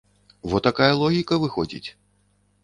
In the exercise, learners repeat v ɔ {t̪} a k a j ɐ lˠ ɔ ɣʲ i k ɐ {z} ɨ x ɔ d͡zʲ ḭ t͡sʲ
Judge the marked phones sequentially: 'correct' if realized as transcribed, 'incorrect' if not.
correct, incorrect: v

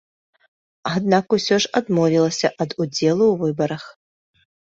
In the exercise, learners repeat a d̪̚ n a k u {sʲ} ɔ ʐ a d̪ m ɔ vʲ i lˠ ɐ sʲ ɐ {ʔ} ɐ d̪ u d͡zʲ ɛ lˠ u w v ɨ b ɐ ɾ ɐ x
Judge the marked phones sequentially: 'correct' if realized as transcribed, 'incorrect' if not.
correct, correct

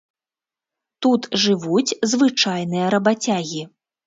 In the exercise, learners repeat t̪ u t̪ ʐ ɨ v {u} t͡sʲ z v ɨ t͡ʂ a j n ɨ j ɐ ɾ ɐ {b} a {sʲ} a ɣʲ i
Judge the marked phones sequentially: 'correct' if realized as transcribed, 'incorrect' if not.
correct, correct, incorrect: t͡sʲ

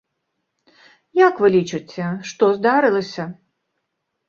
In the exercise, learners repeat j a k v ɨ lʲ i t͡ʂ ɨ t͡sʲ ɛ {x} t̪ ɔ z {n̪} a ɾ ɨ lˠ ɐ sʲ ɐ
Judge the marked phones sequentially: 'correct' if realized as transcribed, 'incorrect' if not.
incorrect: ʂ, incorrect: d̪

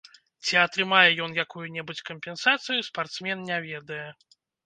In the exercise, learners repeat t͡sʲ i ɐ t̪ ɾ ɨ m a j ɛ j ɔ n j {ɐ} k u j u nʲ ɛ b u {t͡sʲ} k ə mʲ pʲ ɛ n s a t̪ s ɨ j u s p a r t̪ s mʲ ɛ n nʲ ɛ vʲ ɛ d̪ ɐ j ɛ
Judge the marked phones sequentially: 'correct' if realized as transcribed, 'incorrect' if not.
incorrect: a, correct

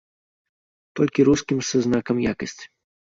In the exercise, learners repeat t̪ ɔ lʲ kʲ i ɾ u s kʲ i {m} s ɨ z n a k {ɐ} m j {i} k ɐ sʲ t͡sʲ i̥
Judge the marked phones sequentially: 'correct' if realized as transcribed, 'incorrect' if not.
correct, correct, incorrect: a

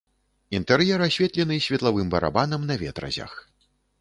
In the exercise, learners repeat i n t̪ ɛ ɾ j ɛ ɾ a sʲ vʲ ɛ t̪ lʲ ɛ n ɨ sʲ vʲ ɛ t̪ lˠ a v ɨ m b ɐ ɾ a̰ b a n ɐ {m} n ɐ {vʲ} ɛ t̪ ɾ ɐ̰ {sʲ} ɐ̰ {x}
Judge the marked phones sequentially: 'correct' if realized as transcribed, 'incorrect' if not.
correct, correct, incorrect: zʲ, correct

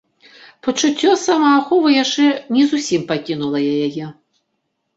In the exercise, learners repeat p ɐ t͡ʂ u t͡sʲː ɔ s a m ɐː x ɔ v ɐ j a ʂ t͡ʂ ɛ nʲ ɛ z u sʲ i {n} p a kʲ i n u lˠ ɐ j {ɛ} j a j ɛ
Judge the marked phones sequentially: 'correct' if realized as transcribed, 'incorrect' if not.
incorrect: m, incorrect: a

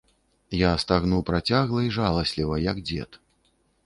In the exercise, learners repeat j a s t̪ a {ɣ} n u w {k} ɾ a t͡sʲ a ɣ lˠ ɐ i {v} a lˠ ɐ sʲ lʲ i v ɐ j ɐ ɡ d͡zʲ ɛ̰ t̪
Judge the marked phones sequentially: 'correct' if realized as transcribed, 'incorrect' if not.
correct, incorrect: p, incorrect: ʐ

